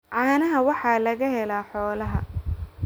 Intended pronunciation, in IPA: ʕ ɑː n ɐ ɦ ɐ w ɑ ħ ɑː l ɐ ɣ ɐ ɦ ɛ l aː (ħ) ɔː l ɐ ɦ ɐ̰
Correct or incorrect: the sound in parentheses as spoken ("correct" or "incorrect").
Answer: correct